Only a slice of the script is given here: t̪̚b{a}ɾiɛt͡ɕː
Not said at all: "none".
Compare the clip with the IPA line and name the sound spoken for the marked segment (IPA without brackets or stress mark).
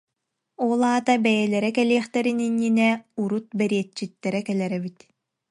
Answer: ɛ